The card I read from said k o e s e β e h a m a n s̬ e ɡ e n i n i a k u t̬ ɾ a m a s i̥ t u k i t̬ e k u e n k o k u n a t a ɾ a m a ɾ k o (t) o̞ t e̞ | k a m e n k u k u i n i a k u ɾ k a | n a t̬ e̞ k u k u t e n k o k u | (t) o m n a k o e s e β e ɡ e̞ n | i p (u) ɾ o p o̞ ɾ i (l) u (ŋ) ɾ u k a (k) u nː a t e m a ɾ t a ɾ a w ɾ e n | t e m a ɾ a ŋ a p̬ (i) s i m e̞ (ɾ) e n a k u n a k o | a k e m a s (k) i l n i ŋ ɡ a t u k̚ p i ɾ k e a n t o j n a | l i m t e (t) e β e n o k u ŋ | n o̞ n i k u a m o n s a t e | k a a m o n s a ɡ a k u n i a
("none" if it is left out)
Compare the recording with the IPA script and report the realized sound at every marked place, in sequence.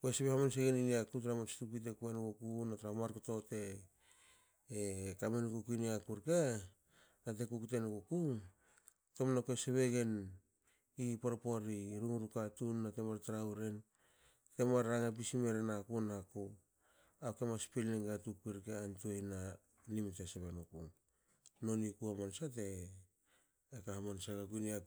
t, t, o, ɾ, ŋ, t, i, ɾ, p, s

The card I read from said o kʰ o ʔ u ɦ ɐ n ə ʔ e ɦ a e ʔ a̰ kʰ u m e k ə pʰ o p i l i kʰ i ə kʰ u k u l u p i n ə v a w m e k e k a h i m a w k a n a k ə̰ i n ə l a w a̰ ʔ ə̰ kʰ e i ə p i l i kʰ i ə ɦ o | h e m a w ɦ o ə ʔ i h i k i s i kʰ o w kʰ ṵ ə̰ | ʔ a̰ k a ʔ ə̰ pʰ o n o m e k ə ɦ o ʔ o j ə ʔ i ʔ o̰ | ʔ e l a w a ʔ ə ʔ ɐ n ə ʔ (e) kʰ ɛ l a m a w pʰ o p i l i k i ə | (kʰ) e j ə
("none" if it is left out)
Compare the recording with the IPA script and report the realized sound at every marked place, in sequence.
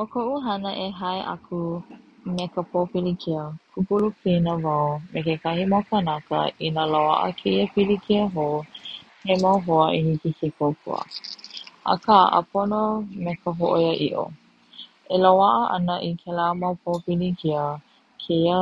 i, kʰ

